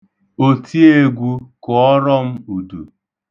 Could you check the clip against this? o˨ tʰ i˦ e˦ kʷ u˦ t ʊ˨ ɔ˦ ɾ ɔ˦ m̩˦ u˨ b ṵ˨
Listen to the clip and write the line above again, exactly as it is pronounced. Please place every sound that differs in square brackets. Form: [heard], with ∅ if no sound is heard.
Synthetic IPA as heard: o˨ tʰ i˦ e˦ [ɡʷ] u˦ [k] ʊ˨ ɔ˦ ɾ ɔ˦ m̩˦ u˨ [d] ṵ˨